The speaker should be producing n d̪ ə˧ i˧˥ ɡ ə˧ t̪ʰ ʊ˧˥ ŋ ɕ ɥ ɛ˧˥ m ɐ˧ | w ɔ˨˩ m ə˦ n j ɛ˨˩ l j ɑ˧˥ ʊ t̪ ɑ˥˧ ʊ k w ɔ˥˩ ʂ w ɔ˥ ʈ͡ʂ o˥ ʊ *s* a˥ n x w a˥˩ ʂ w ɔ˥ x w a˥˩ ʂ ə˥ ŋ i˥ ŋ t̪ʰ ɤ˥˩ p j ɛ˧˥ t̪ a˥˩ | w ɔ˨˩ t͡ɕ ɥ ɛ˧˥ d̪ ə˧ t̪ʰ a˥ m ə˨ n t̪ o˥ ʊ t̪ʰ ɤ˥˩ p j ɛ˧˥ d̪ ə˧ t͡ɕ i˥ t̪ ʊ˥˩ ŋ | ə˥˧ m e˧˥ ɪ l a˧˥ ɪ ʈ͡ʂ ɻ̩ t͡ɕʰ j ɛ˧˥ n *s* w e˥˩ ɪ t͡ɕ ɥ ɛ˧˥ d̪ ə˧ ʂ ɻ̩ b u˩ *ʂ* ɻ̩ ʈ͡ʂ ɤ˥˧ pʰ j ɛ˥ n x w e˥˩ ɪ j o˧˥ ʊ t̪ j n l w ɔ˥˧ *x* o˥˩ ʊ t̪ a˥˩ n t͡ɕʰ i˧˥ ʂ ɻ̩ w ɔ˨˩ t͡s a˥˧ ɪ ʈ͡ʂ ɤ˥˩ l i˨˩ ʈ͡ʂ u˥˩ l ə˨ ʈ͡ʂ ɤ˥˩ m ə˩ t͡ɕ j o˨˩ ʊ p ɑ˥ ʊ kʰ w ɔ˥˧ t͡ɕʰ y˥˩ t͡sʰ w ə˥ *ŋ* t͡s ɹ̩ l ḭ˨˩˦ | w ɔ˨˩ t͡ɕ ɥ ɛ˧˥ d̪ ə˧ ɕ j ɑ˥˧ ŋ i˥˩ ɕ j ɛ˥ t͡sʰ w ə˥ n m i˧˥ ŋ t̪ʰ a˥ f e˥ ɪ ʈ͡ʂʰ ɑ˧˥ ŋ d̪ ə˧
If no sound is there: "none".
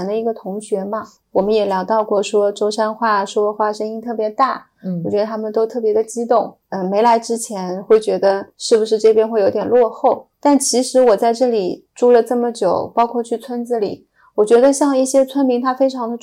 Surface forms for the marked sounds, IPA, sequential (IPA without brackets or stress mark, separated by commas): ʂ, x, ʂ, x, n